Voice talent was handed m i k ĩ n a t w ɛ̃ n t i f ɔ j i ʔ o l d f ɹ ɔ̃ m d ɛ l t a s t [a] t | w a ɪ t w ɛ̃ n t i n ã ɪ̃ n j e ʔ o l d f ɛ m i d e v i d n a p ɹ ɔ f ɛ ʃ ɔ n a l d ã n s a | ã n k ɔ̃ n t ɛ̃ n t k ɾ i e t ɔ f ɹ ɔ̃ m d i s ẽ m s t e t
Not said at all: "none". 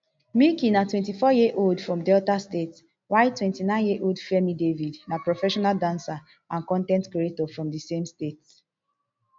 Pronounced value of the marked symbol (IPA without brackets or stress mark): e